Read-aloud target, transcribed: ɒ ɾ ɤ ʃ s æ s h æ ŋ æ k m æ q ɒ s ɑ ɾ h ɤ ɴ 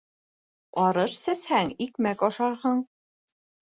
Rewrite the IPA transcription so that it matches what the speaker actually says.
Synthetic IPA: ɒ ɾ ɤ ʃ s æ s h æ ŋ i k m æ k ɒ ʃ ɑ ɾ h ɤ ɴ

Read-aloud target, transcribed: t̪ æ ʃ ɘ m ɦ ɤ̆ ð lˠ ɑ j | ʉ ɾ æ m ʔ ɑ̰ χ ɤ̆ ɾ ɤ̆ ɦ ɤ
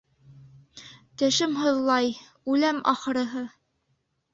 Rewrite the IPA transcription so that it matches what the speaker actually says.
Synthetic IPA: t̪ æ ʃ ɘ m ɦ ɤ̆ ð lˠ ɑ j | ʉ l æ m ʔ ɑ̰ χ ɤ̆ ɾ ɤ̆ ɦ ɤ

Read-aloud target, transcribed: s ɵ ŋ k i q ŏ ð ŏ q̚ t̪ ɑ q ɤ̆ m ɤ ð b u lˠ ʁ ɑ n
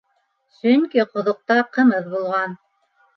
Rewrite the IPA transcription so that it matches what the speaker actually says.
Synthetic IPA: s ɵ ŋ k i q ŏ ð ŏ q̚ t̪ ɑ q ɤ̆ m ɤ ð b u lˠ ʁ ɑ n

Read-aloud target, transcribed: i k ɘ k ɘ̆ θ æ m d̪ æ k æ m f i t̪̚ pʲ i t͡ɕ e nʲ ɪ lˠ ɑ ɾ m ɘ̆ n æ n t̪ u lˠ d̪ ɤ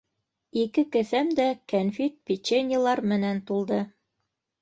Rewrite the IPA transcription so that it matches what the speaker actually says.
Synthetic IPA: i k ɘ k ɘ̆ θ æ m d̪ æ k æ n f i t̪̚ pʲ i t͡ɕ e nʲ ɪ lˠ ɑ ɾ m ɘ̆ n æ n t̪ u lˠ d̪ ɤ

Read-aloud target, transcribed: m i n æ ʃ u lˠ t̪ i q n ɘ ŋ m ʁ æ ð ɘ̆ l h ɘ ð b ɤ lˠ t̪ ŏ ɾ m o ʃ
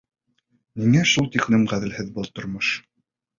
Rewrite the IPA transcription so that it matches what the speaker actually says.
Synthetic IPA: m i ŋ æ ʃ u lˠ t̪ i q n ɘ m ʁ æ ð ɘ̆ l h ɘ ð b ɤ lˠ t̪ ŏ ɾ m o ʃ

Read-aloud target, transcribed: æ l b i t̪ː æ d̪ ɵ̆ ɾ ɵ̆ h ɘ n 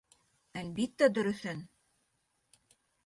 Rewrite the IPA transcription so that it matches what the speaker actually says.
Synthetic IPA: æ l b i t̪ː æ d̪ ɵ̆ ɾ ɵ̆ θ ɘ n

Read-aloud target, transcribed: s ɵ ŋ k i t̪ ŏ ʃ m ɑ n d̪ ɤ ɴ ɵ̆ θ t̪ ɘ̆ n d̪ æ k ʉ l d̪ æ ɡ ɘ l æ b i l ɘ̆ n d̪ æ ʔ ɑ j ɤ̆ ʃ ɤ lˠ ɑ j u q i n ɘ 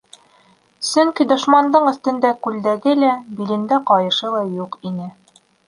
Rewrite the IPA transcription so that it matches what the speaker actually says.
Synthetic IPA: s ɵ ŋ k i d̪ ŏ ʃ m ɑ n d̪ ɤ ɴ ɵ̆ θ t̪ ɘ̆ n d̪ æ k ʉ l d̪ æ ɡ ɘ l æ b i l ɘ̆ n d̪ æ q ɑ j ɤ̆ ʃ ɤ lˠ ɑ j u q i n ɘ

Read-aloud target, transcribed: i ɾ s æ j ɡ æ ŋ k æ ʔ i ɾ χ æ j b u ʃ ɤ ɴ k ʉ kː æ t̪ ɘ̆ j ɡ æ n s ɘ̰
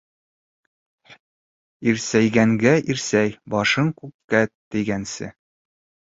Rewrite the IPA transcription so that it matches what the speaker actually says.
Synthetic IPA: i ɾ s æ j ɡ æ ŋ ɡ æ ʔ i ɾ s æ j b ɒ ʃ ɤ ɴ k ʉ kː æ t̪ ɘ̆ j ɡ æ n s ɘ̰

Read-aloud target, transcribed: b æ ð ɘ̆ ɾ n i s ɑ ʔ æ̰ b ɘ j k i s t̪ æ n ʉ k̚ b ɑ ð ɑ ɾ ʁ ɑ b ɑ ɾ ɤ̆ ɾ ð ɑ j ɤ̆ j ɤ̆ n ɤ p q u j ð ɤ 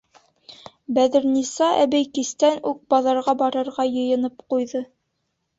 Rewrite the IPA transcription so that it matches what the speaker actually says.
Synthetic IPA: b æ ð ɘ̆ ɾ n i s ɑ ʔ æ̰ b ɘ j k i s t̪ æ n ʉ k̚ b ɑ ð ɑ ɾ ʁ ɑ b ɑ ɾ ɤ̆ ɾ ʁ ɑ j ɤ̆ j ɤ̆ n ɤ p q u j ð ɤ

